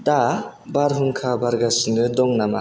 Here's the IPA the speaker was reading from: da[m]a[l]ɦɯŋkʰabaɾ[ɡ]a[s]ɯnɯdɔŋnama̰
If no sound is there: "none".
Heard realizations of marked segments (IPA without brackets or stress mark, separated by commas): b, ɾ, ɡ, s